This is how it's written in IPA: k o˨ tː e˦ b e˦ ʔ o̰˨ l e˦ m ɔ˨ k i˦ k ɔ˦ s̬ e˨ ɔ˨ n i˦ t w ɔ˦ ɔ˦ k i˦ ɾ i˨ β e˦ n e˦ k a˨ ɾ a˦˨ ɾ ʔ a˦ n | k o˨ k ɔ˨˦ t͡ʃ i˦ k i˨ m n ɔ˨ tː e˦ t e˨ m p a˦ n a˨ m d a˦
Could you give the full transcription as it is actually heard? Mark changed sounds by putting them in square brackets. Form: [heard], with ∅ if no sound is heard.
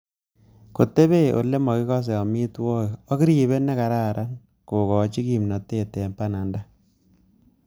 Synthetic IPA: k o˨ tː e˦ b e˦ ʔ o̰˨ l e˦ m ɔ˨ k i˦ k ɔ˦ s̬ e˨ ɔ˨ [m] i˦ t w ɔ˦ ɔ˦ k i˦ ɾ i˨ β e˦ n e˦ k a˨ ɾ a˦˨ ɾ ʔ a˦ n | k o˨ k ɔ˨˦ t͡ʃ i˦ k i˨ m n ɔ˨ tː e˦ t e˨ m p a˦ n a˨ [n] d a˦